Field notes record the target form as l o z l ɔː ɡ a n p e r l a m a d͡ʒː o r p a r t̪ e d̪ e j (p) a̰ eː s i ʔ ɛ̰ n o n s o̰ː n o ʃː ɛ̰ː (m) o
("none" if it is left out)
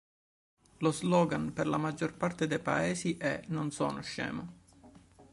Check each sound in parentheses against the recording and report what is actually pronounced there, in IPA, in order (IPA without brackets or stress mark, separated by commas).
p, m